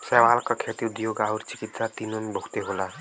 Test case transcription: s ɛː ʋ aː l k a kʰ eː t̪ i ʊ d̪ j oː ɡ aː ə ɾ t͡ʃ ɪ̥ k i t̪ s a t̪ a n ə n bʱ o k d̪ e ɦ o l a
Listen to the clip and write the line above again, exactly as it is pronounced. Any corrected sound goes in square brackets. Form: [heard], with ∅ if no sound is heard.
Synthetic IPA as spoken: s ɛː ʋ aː l k a kʰ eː t̪ i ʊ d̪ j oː ɡ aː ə ɾ t͡ʃ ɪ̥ k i t̪ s a t̪ [i] n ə n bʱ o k [t̪] e ɦ o l a